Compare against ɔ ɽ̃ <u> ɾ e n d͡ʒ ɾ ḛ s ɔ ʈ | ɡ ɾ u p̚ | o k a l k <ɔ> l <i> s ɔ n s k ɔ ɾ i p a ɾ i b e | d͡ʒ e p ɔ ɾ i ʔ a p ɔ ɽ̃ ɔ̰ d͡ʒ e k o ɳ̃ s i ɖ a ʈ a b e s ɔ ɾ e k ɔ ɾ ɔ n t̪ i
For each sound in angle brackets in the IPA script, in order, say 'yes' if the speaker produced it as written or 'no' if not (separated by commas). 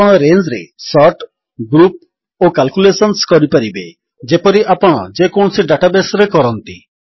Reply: no, no, no